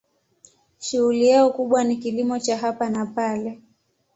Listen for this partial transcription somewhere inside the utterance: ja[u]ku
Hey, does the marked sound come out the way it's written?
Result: no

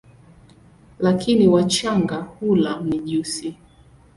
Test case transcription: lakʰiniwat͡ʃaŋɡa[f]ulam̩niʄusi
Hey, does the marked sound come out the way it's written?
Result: no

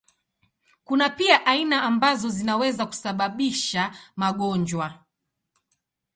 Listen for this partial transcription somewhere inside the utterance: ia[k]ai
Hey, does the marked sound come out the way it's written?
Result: no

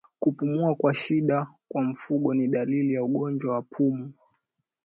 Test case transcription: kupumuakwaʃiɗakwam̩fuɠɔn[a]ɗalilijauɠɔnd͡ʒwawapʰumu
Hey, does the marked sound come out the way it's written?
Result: no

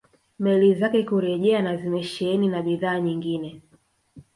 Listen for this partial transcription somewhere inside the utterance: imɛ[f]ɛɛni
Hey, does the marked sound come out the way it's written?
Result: no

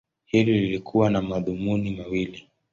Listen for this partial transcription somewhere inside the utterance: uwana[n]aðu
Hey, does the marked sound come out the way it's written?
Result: no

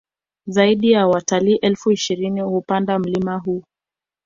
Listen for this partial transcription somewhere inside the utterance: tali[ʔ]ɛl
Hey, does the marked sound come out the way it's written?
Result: yes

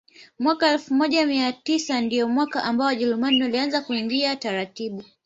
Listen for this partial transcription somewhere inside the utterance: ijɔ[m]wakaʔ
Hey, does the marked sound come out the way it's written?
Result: yes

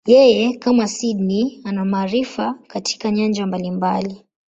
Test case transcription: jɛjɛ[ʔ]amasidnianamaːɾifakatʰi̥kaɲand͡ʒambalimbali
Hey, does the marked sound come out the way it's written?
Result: no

